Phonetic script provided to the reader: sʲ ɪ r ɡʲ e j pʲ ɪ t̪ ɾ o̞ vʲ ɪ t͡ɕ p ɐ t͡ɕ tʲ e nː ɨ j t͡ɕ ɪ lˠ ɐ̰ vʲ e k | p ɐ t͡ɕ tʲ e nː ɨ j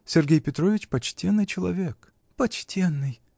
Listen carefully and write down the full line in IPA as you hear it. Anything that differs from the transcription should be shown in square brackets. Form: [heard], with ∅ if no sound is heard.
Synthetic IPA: sʲ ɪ r ɡʲ e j pʲ ɪ t̪ ɾ o̞ vʲ ɪ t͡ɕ p ɐ t͡ɕ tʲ e nː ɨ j t͡ɕ ɪ lˠ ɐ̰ vʲ e k | p ɐ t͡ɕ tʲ e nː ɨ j